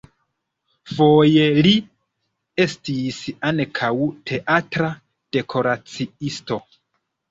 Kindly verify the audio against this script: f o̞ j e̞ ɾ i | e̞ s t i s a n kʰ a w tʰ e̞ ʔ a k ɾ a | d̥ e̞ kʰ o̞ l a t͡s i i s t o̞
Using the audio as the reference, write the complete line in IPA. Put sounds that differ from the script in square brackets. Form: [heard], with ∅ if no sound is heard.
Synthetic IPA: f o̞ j e̞ [l] i | e̞ s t i s a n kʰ a w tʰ e̞ ʔ a [t] ɾ a | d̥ e̞ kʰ o̞ [ɾ] a t͡s i i s t o̞